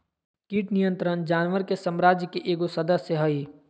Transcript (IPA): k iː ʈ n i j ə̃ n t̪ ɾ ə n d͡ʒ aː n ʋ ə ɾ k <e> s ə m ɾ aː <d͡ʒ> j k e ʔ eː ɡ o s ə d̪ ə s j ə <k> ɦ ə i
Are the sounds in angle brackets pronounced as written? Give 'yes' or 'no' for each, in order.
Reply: yes, yes, no

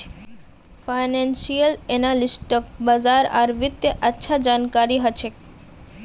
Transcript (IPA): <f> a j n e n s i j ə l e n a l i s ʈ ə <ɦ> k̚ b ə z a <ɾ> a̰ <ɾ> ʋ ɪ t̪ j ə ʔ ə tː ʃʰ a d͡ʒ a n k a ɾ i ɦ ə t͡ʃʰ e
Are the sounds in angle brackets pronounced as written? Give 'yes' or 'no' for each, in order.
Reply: yes, no, yes, yes

